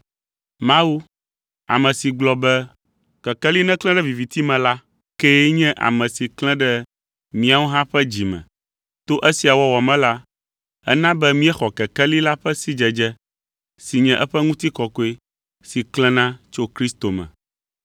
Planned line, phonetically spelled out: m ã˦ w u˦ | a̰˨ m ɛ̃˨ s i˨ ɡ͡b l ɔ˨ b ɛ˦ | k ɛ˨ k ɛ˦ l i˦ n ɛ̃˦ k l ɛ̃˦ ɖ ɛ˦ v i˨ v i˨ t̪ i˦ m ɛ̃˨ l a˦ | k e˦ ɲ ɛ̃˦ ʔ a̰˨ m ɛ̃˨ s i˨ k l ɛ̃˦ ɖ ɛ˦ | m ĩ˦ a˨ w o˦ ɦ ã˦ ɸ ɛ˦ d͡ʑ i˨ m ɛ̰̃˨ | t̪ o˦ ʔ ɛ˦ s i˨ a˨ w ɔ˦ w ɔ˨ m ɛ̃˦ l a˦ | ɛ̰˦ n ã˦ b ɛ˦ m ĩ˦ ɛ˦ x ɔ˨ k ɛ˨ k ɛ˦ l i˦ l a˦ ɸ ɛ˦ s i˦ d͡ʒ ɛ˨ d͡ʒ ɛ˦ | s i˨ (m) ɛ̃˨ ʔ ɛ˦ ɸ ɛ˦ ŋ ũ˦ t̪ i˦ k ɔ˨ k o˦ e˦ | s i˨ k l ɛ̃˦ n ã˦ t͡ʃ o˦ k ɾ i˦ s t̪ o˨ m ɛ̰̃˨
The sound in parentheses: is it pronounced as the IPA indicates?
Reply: no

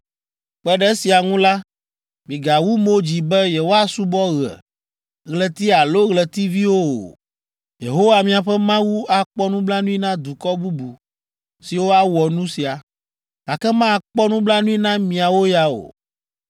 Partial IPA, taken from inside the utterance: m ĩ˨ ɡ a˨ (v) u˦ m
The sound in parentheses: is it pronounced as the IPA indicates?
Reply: no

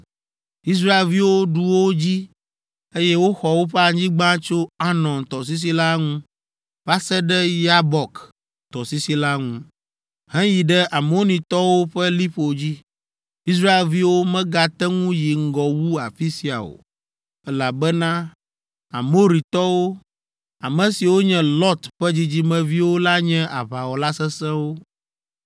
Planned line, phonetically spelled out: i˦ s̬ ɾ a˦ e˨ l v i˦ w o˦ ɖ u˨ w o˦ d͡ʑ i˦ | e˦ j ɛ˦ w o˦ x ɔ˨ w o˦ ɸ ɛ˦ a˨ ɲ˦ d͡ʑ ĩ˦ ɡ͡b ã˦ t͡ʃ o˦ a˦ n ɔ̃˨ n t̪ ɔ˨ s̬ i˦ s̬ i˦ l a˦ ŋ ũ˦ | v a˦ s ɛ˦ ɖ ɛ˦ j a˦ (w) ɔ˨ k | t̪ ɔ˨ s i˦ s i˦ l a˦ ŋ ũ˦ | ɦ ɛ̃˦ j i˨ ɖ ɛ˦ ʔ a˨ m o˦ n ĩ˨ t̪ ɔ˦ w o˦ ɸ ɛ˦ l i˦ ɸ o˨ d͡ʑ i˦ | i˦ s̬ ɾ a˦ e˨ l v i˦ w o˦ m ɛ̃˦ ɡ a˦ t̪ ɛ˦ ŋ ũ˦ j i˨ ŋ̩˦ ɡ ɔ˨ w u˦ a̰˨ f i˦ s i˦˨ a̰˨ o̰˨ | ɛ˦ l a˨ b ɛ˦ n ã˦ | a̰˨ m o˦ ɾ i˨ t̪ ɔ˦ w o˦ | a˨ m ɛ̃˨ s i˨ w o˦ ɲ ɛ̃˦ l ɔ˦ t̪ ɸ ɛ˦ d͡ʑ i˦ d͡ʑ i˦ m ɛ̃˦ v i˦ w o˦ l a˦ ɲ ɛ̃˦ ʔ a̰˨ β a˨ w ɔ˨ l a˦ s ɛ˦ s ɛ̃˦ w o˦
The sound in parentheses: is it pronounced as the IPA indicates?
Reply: no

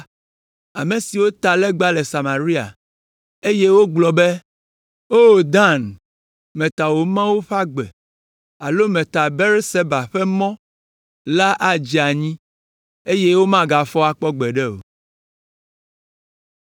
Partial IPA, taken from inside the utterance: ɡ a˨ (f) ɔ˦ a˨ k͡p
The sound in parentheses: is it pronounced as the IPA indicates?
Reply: yes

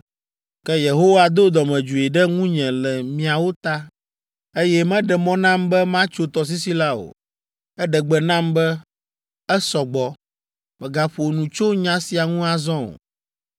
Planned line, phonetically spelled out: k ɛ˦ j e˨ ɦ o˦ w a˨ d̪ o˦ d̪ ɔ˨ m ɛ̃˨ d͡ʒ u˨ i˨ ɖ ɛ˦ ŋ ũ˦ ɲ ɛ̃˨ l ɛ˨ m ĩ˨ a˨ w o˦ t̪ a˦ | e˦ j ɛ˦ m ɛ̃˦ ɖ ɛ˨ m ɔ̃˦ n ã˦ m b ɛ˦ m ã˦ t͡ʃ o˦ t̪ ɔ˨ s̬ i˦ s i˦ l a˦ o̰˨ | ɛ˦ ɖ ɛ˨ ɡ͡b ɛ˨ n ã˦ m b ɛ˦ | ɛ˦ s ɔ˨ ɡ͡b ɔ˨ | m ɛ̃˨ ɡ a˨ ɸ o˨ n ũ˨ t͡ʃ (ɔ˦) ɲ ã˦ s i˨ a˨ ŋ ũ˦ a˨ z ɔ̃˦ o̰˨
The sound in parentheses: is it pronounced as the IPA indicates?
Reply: no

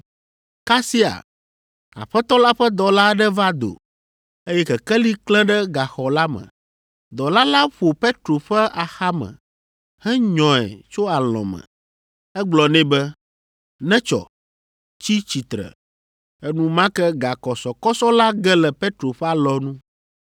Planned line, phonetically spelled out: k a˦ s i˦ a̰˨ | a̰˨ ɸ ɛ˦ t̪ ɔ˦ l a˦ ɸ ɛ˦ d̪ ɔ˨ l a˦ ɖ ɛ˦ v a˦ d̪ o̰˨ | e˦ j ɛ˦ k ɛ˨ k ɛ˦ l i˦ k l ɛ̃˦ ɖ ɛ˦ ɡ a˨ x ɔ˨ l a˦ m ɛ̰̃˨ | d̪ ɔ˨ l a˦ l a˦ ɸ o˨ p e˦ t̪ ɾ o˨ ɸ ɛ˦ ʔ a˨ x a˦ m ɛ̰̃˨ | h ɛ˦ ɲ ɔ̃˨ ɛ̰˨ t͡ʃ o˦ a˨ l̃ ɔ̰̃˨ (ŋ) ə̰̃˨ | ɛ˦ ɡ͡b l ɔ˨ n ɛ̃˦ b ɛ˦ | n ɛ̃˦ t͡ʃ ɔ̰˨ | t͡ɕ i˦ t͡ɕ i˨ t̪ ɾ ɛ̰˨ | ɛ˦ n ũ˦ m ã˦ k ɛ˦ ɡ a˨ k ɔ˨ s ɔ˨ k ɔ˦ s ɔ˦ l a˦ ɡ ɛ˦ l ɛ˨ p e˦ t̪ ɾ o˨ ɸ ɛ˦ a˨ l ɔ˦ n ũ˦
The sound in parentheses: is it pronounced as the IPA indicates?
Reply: no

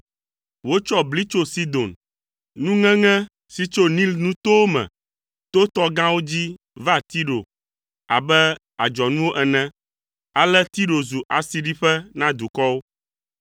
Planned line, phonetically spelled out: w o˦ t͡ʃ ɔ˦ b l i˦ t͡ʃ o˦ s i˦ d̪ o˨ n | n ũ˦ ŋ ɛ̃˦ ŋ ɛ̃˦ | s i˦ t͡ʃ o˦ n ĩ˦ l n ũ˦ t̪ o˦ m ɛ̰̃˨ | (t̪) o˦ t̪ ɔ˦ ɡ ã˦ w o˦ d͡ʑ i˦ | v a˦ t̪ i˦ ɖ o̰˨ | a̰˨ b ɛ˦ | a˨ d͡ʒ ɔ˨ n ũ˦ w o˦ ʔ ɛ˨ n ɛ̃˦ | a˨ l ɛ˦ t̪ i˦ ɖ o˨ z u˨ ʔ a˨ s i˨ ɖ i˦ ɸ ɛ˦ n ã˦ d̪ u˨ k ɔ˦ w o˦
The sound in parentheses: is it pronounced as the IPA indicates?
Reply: yes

